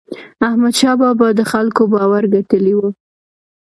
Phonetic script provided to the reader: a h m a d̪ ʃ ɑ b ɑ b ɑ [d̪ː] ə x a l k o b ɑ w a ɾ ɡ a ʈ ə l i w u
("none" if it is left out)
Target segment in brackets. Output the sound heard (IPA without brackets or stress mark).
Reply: d̪